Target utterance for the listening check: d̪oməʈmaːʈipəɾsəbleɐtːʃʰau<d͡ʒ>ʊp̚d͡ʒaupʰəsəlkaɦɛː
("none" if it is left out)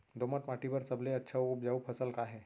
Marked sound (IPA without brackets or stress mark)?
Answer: none